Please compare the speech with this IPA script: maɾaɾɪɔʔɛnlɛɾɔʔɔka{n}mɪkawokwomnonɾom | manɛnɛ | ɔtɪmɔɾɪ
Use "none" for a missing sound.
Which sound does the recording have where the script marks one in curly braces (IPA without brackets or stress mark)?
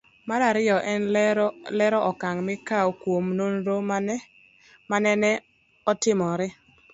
ŋ